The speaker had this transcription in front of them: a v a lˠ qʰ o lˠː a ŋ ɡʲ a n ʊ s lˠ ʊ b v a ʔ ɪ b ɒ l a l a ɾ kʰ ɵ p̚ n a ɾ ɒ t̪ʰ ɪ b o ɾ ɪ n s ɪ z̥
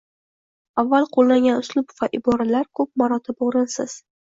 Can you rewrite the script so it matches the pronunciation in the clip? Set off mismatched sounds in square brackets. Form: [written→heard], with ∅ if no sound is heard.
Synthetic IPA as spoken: a [v→vː] a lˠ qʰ o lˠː a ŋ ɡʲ a n ʊ s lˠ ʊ b v a ʔ ɪ b ɒ [l→ɾ] a l a ɾ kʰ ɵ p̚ [n→m] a ɾ ɒ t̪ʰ ɪ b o ɾ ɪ n s ɪ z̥